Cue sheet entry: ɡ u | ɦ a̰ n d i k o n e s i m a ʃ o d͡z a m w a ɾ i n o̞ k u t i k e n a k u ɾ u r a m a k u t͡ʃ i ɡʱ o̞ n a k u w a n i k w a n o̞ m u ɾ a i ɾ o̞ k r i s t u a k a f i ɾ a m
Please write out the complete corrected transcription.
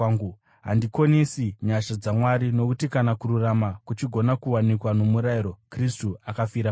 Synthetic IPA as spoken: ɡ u | ɦ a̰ n d i k o n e s i ɲ a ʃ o d͡z a m w a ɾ i n o̞ k u t i k a n a k u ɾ u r a m a k u t͡ʃ i ɡʱ o̞ n a k u w a n i k w a n o̞ m u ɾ a i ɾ o̞ k r i s t u a k a f i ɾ a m